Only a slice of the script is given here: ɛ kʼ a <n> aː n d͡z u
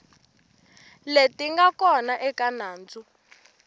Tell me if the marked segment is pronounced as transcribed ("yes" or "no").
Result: yes